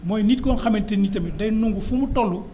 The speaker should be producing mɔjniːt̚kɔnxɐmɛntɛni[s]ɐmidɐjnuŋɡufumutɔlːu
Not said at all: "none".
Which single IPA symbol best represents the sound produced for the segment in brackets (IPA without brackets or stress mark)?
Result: t